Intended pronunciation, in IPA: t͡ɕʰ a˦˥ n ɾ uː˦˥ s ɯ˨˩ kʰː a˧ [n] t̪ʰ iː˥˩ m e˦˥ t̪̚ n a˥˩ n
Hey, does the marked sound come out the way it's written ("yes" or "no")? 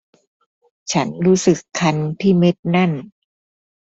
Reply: yes